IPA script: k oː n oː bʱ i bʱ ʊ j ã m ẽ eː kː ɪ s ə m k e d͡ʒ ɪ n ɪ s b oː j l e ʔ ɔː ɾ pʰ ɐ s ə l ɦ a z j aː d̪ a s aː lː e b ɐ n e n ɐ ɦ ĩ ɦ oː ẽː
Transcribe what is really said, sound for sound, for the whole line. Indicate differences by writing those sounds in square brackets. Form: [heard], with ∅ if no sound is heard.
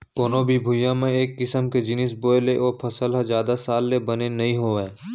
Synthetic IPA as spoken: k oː n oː bʱ i bʱ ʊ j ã m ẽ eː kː ɪ s ə m k e d͡ʒ ɪ n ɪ s b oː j l e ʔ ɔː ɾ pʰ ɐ s ə l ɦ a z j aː d̪ a s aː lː e b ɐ n e n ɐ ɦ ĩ ɦ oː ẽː